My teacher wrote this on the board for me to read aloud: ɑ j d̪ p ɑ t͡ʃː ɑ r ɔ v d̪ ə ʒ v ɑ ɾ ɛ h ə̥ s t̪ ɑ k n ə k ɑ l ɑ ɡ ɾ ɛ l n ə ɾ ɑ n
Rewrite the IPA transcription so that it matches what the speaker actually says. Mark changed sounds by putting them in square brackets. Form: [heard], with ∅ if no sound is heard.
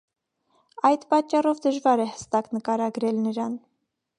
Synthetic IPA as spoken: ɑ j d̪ p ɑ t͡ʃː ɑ r ɔ v d̪ ə ʒ v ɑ ɾ ɛ h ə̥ s t̪ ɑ k n ə k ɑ [ɾ] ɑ ɡ ɾ ɛ l n ə ɾ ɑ n